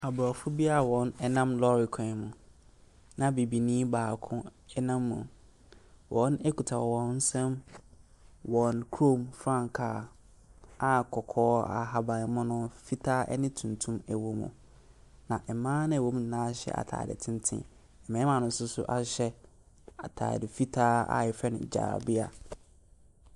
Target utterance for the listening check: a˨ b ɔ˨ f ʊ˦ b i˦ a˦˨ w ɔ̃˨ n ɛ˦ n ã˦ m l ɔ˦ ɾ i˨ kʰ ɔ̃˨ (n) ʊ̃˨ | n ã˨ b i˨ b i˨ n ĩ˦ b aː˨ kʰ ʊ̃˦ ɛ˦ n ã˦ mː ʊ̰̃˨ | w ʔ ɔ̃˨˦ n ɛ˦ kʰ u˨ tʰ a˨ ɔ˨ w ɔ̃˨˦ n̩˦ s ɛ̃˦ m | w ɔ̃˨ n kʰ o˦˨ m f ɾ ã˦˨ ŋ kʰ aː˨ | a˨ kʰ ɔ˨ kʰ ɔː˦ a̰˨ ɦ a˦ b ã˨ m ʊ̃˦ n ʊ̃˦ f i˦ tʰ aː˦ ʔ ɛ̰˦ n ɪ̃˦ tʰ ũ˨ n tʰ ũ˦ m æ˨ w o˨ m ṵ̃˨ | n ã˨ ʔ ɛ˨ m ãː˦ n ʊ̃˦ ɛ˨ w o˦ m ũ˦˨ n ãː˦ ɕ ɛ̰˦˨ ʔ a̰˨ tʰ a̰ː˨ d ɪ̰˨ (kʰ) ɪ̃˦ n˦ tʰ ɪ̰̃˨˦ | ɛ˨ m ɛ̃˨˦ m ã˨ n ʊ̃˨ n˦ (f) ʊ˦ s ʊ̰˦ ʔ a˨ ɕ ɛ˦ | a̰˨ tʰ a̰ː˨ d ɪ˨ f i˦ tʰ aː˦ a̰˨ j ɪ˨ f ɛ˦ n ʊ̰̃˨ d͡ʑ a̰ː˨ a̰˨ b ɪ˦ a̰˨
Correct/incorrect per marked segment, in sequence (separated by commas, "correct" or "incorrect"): incorrect, incorrect, incorrect